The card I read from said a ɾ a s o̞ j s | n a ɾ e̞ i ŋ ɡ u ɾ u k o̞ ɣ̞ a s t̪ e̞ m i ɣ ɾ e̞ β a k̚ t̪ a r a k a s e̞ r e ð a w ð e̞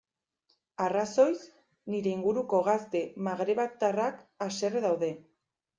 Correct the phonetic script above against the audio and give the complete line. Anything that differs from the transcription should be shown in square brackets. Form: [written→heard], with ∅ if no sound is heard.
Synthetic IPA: a [ɾ→r] a s o̞ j s | n [a→i] ɾ e̞ i ŋ ɡ u ɾ u k o̞ ɣ̞ a s t̪ e̞ m [i→a] ɣ ɾ e̞ β a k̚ t̪ a r a k a s e̞ r e ð a w ð e̞